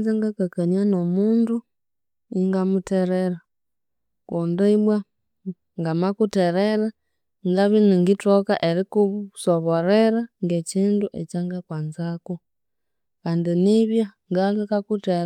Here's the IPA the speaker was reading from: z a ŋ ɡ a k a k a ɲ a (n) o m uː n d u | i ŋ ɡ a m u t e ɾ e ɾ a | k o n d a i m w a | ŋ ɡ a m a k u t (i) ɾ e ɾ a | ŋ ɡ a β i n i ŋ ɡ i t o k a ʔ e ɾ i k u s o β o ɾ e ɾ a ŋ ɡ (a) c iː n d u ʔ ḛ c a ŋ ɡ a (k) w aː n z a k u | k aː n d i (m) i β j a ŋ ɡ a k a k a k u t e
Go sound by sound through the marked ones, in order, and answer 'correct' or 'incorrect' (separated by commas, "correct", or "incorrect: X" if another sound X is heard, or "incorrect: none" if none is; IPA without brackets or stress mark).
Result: correct, incorrect: e, incorrect: e, correct, incorrect: n